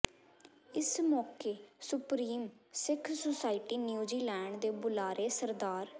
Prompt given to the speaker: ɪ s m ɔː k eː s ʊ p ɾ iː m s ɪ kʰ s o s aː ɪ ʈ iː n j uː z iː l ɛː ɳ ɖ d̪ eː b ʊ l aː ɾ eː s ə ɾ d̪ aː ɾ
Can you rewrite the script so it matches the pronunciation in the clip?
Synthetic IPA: ɪ s m ɔː k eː s ʊ p ɾ iː m s ɪ kʰ s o s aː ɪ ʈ iː n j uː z iː l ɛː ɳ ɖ d̪ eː b ʊ l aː ɾ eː s ə ɾ d̪ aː ɾ